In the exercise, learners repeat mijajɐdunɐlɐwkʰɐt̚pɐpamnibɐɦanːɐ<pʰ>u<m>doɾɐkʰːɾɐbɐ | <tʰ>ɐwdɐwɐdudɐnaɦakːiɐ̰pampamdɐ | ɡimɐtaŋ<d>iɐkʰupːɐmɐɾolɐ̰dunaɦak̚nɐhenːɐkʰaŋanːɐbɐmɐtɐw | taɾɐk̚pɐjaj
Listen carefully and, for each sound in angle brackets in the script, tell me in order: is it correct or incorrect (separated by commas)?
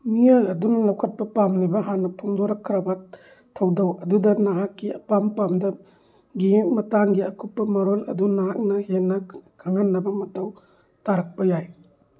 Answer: correct, incorrect, correct, incorrect